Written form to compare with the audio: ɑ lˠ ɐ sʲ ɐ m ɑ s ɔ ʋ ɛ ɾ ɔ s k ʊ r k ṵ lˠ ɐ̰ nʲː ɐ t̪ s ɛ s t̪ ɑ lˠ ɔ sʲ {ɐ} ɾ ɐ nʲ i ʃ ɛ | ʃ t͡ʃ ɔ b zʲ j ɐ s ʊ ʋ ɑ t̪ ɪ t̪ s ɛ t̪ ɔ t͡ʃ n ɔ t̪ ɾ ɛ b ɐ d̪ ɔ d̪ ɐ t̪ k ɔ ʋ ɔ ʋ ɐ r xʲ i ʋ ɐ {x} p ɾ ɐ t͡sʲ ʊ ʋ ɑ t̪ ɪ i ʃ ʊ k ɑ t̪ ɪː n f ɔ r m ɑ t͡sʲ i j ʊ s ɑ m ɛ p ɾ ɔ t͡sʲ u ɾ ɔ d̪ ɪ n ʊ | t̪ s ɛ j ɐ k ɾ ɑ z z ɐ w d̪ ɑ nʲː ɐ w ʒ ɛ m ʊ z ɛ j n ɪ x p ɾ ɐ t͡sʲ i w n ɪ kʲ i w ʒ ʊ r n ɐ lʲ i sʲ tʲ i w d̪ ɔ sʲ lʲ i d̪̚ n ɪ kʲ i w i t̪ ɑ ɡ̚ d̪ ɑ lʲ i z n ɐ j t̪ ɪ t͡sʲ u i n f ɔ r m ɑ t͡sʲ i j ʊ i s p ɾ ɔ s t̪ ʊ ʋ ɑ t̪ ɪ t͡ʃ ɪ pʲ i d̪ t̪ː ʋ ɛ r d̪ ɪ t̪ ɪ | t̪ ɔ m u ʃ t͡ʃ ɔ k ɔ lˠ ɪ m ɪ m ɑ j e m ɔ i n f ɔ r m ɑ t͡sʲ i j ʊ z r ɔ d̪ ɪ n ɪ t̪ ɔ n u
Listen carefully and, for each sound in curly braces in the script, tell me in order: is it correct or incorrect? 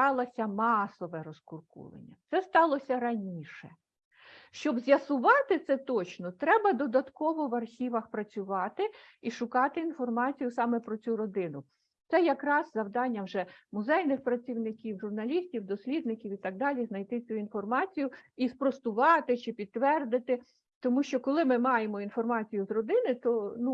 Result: correct, correct

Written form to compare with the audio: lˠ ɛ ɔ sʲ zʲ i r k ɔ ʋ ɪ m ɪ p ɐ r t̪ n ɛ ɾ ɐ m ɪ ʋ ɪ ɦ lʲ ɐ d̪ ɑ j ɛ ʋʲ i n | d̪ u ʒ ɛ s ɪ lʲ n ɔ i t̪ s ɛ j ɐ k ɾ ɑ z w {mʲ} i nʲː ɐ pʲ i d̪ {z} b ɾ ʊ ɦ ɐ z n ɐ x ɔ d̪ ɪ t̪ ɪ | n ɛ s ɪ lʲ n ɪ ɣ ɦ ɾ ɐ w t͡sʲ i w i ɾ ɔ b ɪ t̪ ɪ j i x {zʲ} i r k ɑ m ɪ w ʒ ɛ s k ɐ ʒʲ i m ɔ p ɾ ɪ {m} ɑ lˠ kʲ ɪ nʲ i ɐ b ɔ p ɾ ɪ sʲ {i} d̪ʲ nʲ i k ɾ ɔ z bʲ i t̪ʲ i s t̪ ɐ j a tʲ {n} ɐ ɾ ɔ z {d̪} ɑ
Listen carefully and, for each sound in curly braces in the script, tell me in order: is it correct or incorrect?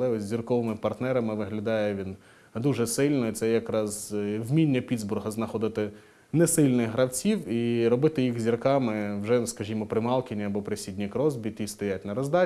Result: correct, correct, correct, correct, correct, correct, correct

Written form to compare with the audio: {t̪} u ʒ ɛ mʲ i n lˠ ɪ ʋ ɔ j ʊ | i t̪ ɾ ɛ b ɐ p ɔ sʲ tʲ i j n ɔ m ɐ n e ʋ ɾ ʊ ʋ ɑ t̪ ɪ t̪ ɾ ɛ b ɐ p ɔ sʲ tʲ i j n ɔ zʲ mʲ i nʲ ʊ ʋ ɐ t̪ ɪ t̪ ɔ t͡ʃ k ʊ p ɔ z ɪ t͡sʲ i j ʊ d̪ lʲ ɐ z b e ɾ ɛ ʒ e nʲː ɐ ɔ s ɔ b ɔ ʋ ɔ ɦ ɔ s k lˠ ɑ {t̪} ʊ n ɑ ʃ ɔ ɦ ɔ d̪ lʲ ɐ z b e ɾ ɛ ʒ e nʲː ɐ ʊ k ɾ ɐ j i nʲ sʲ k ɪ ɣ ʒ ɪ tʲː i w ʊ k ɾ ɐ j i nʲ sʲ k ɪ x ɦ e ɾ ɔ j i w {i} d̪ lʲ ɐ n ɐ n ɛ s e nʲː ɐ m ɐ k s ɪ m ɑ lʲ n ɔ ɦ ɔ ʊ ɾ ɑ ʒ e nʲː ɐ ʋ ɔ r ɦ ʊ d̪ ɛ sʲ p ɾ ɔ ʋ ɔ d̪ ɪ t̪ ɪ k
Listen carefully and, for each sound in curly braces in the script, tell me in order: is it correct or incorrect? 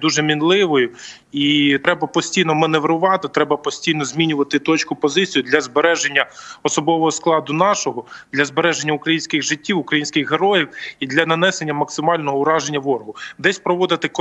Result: incorrect: d̪, incorrect: d̪, correct

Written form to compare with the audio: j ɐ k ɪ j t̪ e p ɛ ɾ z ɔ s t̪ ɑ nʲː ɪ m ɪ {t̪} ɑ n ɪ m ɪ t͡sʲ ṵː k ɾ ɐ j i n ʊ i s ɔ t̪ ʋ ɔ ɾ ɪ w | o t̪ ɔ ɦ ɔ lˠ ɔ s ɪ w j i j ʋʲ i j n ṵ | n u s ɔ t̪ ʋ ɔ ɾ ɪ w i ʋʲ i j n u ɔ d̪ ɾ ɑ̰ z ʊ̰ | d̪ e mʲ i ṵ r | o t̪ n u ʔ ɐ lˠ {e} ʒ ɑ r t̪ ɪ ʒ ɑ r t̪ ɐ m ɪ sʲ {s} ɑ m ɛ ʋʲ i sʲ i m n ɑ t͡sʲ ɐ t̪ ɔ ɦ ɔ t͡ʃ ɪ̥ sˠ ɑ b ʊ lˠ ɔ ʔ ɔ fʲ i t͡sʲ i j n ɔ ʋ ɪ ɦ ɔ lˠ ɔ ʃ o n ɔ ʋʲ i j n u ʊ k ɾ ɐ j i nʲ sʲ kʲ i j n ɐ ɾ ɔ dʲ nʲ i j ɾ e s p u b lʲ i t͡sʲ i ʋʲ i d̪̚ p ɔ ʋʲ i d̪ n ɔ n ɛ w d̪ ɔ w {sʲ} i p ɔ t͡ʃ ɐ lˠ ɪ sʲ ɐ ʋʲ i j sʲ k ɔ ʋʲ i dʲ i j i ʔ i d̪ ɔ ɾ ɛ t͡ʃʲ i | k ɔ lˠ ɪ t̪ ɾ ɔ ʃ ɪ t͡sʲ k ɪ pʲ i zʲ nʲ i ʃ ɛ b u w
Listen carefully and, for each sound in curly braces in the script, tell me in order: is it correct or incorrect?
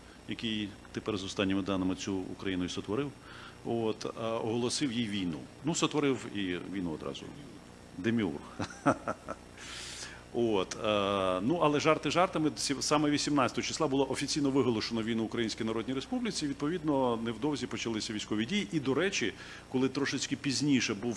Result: incorrect: d̪, incorrect: ɛ, correct, incorrect: zʲ

